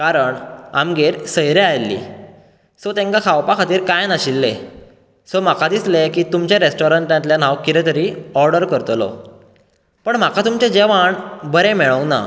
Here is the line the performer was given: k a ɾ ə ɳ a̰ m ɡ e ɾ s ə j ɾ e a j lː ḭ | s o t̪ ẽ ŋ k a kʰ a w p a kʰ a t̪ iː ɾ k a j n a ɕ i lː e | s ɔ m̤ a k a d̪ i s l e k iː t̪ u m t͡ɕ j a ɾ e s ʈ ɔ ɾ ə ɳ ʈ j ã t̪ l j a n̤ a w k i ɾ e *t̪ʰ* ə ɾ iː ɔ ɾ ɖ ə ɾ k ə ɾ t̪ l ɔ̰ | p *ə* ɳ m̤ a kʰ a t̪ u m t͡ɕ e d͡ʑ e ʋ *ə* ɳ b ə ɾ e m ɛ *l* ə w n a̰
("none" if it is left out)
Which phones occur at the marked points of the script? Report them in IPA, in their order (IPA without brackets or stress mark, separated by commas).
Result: t̪, ə, a, ɭ